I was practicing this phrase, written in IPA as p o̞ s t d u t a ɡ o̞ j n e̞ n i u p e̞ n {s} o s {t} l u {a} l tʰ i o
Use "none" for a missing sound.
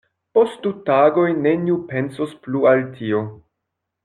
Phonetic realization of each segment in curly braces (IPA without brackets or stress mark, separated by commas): s, p, a